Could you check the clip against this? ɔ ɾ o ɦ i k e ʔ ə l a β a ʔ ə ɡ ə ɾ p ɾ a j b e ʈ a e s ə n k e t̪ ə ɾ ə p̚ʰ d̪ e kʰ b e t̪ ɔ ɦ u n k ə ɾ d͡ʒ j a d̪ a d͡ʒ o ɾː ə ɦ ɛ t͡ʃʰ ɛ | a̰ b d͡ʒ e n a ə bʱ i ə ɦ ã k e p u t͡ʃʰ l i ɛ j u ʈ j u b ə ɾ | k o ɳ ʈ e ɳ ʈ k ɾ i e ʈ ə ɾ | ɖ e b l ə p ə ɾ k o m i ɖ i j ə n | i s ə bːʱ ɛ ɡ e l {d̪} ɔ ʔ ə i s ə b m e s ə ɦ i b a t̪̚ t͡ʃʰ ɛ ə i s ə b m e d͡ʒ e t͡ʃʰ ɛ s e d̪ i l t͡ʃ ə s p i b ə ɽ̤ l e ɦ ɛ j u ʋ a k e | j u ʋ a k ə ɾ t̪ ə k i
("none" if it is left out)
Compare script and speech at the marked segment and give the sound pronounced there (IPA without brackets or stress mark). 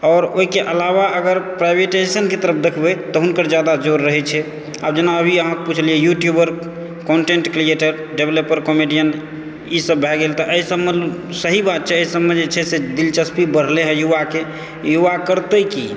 t̪